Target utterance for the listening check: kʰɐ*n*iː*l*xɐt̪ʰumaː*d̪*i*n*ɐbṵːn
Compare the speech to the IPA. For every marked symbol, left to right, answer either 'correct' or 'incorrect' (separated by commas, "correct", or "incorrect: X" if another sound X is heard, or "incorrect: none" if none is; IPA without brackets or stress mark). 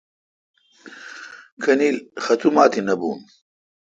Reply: correct, correct, incorrect: t̪, correct